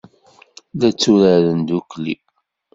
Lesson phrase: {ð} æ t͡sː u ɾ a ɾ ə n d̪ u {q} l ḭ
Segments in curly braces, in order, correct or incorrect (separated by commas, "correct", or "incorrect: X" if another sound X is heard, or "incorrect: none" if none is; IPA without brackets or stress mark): correct, incorrect: k